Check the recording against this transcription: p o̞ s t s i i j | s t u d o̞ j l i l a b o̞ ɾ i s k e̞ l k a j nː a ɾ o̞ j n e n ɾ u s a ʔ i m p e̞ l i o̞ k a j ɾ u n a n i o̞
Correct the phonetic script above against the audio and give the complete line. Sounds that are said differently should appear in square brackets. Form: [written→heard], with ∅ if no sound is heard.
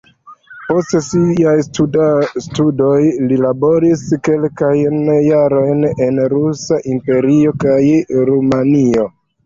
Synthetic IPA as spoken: p o̞ s t s i [i→a] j | s t u d o̞ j l i l a b o̞ ɾ i s k e̞ l k a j nː a ɾ o̞ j n e n ɾ u s a ʔ i m p e̞ [l→ɾ] i o̞ k a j ɾ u [n→m] a n i o̞